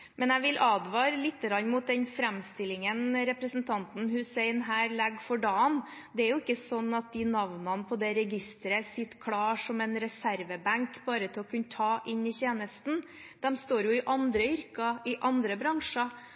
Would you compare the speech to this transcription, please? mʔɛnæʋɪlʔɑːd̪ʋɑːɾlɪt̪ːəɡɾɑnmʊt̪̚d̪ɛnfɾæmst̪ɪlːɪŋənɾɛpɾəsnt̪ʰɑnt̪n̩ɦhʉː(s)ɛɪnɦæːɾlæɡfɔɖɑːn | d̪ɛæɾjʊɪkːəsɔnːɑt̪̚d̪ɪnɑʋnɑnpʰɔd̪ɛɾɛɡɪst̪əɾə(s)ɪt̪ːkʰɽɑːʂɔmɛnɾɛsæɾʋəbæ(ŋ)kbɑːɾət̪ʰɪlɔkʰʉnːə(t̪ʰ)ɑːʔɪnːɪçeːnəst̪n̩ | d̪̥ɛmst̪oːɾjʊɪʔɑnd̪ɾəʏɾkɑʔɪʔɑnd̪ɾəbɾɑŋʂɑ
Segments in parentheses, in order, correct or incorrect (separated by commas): correct, correct, correct, correct